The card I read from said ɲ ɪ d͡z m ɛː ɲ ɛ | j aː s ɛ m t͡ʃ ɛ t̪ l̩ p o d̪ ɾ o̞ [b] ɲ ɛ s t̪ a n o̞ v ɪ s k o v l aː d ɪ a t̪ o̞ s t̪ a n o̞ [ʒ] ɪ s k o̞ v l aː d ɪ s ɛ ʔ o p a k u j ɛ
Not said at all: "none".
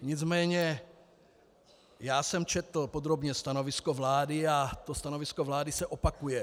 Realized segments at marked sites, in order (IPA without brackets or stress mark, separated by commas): b, v